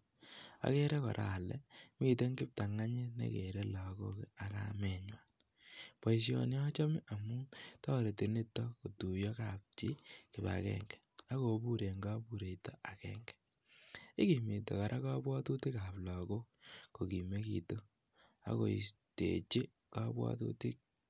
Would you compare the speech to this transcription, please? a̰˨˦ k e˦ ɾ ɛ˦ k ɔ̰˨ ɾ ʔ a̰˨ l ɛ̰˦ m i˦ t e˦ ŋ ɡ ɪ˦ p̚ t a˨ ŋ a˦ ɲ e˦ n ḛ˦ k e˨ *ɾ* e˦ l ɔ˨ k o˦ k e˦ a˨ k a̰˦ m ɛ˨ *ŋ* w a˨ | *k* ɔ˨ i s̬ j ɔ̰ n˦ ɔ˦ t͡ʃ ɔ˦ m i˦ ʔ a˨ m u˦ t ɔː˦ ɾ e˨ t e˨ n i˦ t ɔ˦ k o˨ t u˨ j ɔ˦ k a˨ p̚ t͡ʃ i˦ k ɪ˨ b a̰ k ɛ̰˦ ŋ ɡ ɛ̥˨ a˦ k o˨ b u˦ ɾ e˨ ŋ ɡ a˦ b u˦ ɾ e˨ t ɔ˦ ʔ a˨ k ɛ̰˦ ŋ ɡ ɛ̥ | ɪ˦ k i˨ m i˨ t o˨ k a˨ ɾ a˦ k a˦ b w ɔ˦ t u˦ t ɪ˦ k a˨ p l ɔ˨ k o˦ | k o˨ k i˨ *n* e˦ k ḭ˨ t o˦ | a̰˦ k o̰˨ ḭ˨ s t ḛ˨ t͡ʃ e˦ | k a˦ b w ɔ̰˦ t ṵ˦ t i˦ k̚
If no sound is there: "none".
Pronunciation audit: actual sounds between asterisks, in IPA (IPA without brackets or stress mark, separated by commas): ɾ, ɲ, p, m